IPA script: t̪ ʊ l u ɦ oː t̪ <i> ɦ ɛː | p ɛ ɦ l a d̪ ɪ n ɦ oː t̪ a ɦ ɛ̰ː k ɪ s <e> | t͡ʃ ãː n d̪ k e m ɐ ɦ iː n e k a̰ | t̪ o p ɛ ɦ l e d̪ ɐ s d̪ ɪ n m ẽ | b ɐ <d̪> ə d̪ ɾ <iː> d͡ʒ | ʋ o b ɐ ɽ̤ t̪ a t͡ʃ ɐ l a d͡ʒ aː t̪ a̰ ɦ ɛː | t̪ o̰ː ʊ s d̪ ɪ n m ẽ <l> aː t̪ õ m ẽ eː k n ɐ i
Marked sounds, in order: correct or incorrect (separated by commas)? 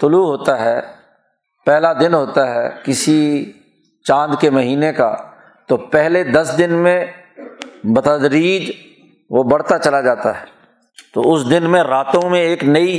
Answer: incorrect, incorrect, incorrect, correct, incorrect